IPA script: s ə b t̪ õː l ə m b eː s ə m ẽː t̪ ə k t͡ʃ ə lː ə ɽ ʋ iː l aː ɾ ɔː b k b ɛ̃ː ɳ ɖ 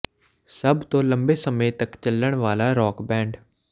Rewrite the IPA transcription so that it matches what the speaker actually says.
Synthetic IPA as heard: s ə b t̪ õː l ə m b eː s ə m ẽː t̪ ə k t͡ʃ ə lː ə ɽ ʋ aː l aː ɾ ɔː k b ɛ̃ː ɳ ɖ